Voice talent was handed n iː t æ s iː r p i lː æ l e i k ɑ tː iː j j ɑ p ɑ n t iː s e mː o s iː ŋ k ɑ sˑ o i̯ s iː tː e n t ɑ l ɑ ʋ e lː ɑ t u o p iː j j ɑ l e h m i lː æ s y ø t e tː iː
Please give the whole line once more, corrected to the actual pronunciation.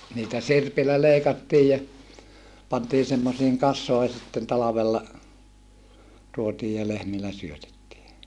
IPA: n iː t æ s i r p i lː æ l e i k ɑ tː iː j j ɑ p ɑ n t iː s e mː o s iː ŋ k ɑ sˑ o i̯ s i tː e n t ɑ l ɑ ʋ e lː ɑ t u o t iː j j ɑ l e h m i lː æ s y ø t e tː iː